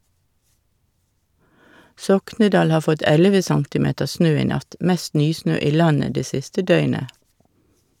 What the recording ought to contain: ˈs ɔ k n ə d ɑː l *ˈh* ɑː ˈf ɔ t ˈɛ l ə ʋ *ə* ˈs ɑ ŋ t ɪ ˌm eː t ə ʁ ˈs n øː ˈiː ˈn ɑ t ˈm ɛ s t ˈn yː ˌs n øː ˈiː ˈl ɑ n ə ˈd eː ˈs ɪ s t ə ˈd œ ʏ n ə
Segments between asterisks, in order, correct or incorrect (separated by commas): correct, correct